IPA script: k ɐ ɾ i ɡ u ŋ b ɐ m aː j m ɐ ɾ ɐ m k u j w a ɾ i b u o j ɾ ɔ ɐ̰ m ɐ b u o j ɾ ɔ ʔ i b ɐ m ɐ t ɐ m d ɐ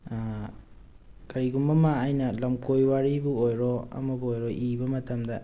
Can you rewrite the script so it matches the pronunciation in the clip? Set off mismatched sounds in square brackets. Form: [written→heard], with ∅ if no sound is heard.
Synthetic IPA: k ɐ ɾ i ɡ u [ŋ→m] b ɐ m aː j [m→n] ɐ [ɾ→l] ɐ m k [u→o] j w a ɾ i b u o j ɾ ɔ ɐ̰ m ɐ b u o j ɾ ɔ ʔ i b ɐ m ɐ t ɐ m d ɐ